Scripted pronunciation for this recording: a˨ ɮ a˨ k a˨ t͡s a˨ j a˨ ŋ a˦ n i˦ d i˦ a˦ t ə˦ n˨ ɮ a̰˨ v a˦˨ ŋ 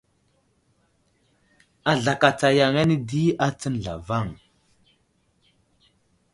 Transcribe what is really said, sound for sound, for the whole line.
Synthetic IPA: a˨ ɮ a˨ k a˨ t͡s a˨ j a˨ ŋ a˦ n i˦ d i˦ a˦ t͡s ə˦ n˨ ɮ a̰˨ v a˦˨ ŋ